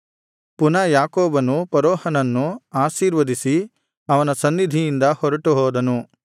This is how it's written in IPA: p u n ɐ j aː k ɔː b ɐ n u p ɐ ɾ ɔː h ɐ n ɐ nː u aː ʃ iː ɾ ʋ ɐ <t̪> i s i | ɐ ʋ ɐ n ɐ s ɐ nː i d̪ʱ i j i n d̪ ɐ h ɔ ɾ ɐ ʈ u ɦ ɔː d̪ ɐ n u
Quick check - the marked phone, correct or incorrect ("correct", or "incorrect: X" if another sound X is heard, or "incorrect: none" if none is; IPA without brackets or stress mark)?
incorrect: d̪